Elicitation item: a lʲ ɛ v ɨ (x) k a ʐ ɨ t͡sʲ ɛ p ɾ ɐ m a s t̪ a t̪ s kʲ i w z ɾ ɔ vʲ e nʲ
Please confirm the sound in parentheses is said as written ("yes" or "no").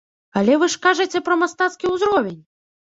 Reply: no